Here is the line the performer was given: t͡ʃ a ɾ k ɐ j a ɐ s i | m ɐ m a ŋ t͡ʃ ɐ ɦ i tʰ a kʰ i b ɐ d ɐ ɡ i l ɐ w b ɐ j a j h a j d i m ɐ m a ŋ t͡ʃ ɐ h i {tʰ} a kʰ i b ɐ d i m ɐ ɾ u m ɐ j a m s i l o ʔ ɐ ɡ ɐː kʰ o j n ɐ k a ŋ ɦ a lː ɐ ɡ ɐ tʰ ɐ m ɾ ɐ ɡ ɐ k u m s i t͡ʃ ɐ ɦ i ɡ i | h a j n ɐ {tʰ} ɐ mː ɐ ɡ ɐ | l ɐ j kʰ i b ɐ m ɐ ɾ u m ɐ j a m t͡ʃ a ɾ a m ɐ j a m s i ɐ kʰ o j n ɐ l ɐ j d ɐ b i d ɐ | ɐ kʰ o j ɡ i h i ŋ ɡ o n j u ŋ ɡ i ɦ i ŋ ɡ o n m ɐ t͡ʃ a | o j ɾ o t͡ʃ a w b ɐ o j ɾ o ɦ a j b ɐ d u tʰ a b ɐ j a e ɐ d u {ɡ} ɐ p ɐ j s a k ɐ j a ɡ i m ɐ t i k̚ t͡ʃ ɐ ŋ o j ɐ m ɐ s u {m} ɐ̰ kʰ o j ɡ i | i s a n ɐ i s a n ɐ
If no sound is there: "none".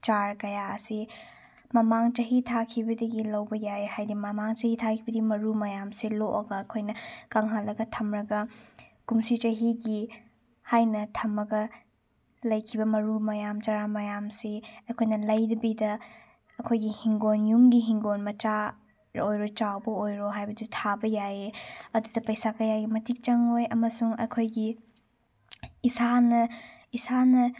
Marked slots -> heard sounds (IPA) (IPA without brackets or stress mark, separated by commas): tʰ, tʰ, d, ŋ